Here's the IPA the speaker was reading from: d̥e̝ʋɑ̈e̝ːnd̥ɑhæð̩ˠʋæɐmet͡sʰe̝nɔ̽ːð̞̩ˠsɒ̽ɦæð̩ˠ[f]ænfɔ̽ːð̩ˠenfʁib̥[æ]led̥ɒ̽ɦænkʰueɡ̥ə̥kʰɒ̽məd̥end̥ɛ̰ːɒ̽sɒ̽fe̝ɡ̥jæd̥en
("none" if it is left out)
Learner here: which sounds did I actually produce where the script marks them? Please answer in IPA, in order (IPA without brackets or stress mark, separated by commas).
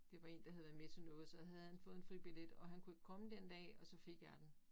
h, i